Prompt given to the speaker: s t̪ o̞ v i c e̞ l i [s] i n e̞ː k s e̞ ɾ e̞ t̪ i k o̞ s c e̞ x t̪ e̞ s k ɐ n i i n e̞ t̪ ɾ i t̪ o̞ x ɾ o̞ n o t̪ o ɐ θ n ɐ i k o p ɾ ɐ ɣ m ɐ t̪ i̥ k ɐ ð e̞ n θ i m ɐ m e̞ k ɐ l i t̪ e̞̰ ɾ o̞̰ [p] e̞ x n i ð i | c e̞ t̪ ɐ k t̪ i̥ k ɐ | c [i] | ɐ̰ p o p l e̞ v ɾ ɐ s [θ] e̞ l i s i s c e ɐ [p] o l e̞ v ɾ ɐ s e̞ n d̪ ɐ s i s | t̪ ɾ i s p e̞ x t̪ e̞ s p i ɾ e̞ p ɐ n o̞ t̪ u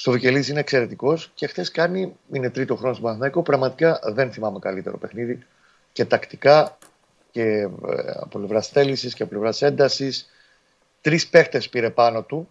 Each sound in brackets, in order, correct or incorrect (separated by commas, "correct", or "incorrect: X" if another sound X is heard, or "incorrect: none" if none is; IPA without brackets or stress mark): correct, correct, incorrect: e, correct, correct